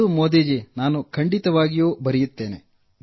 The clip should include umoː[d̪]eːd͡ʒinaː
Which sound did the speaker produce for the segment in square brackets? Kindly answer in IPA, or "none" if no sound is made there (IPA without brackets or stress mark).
d̪